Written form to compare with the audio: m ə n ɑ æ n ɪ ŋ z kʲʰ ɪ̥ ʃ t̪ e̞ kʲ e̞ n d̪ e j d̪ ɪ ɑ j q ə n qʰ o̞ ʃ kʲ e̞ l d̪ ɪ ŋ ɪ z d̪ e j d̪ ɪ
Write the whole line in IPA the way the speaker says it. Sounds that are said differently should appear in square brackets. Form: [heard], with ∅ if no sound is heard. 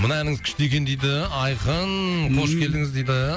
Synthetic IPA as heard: m ə n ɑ æ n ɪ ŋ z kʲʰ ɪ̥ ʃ t̪ e̞ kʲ e̞ n d̪ e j d̪ ɪ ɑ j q ə n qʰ o̞ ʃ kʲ e̞ l d̪ ɪ ŋ ɪ z d̪ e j d̪ ɪ